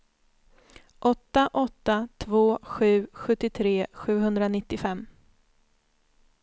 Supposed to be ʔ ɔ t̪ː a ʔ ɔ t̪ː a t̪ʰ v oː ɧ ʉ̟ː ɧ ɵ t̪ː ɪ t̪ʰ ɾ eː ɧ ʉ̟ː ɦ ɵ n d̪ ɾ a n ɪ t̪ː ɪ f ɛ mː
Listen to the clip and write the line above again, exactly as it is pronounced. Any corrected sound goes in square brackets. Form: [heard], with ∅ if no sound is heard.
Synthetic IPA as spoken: ʔ ɔ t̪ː a ʔ ɔ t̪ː a t̪ʰ v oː ɧ ʉ̟ː ɧ ɵ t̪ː ɪ t̪ʰ ɾ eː ɧ ʉ̟ː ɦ ɵ n d̪ ɾ a n ɪ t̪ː ɪ f ɛ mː